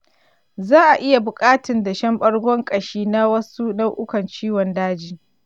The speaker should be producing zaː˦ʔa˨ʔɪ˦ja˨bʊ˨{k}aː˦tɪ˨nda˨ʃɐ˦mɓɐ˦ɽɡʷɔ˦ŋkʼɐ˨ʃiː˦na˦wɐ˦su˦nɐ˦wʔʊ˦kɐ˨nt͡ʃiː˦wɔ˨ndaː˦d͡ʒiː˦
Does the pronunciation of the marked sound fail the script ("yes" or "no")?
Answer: yes